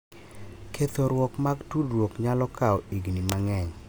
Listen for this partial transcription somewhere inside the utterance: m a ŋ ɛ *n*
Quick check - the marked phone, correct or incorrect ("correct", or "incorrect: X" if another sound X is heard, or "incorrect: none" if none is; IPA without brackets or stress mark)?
incorrect: ɲ